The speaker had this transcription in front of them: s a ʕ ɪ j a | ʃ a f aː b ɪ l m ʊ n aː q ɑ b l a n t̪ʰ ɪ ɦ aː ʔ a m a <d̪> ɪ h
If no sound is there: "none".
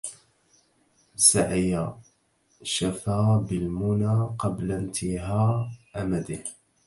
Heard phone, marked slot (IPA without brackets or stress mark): d̪